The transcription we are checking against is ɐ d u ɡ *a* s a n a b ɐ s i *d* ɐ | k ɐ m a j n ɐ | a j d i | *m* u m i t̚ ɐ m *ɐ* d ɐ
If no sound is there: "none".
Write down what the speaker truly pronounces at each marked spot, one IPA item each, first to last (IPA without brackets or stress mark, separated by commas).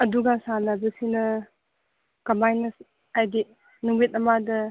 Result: a, n, n, a